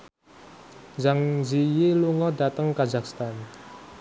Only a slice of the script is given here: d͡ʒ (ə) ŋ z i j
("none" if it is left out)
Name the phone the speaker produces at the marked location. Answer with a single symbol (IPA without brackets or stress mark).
a